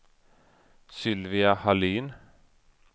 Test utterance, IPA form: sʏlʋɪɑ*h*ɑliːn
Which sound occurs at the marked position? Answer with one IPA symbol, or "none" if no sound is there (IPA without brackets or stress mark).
h